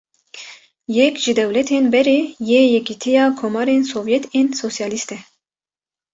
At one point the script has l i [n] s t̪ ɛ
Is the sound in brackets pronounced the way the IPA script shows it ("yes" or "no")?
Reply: no